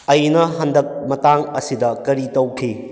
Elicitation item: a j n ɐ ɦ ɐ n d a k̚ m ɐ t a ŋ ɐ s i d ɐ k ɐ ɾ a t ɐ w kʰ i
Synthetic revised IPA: ɐ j n ɐ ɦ ɐ n d ɐ k̚ m ɐ t a ŋ ɐ s i d ɐ k ɐ ɾ i t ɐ w kʰ i